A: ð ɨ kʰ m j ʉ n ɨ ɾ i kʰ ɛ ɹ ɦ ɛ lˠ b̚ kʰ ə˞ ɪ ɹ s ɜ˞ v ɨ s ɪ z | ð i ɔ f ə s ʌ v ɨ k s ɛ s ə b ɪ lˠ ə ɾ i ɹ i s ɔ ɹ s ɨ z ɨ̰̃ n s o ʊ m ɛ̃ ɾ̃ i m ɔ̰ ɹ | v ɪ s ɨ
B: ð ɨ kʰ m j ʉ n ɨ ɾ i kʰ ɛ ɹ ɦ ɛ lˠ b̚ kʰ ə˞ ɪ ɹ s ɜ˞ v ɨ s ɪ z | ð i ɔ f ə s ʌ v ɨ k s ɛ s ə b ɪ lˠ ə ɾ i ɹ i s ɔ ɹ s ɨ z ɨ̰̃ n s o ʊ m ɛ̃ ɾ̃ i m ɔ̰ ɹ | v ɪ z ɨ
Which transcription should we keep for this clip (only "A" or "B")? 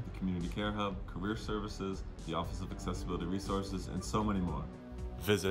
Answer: B